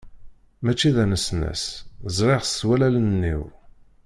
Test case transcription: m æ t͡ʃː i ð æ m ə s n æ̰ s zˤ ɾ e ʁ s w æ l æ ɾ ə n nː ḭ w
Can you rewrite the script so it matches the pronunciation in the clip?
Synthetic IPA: m æ t͡ʃː i ð æ n ə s n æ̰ s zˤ ɾ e ʁ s w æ l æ l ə n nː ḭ w